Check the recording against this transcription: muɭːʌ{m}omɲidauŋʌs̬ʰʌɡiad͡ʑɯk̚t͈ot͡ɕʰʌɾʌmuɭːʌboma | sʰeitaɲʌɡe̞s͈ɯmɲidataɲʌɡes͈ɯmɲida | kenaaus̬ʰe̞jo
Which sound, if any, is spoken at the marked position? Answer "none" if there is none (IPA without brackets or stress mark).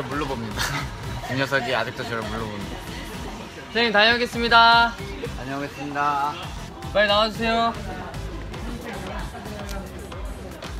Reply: b